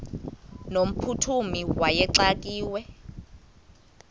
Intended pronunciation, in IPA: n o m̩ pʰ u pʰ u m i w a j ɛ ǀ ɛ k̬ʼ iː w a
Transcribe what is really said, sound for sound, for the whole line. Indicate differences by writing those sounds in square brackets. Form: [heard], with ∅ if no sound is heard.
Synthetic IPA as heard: n o m̩ pʰ u [tʰ] u m i w a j ɛ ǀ [a] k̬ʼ iː w [ɛ]